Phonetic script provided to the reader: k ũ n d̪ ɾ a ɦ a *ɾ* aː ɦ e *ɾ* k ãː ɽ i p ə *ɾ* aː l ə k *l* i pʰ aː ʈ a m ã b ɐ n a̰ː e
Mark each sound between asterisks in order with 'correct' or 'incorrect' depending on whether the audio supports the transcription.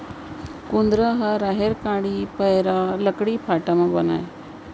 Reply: correct, correct, correct, incorrect

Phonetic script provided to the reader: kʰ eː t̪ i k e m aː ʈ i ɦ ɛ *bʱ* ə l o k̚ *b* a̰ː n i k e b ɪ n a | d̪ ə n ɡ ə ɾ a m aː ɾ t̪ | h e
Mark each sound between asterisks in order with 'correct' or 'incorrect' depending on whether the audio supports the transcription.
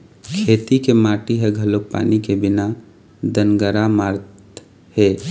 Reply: incorrect, incorrect

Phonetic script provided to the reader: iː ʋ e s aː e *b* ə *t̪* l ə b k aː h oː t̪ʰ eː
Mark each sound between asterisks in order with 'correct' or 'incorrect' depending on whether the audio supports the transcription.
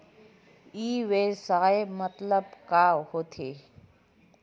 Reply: incorrect, correct

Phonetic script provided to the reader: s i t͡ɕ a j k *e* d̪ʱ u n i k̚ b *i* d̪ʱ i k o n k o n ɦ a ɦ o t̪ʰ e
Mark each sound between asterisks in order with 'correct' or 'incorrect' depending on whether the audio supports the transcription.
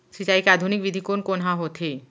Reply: incorrect, correct

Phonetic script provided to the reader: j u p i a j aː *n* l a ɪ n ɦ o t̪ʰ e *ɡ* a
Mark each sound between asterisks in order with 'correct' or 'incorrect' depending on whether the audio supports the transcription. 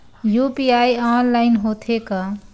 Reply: correct, incorrect

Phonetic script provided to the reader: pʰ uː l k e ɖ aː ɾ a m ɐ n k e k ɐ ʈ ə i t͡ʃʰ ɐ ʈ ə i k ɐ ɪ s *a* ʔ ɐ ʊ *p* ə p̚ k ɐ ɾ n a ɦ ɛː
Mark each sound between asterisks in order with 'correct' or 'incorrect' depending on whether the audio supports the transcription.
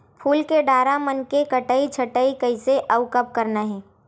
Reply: incorrect, incorrect

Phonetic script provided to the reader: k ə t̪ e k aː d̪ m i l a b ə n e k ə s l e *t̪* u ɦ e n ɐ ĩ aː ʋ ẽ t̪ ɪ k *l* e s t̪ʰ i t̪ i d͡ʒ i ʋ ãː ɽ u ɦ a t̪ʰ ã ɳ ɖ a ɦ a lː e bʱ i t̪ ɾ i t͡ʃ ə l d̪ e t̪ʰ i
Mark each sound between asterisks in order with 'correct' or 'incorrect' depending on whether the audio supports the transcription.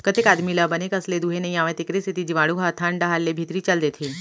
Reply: incorrect, incorrect

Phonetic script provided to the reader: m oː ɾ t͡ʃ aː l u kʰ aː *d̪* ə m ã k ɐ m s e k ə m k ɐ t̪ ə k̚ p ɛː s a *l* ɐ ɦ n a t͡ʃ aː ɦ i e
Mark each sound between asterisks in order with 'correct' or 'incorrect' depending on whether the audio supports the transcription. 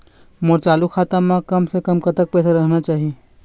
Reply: incorrect, incorrect

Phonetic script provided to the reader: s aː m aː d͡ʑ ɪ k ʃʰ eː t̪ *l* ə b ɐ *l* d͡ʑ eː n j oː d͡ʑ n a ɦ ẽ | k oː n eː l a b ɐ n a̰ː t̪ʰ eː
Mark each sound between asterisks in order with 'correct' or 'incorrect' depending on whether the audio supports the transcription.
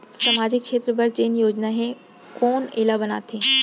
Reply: incorrect, incorrect

